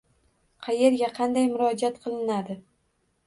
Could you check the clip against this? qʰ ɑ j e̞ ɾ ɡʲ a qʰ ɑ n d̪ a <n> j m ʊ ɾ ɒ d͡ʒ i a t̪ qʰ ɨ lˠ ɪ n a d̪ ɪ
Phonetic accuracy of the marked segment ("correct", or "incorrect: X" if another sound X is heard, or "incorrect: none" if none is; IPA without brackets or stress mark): incorrect: none